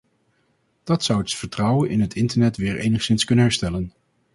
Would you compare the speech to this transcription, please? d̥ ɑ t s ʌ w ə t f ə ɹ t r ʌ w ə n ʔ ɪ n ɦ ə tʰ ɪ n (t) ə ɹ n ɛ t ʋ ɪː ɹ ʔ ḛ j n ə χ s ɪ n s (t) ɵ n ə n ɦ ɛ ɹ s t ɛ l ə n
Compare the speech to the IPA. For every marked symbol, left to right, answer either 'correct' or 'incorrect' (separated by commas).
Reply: correct, incorrect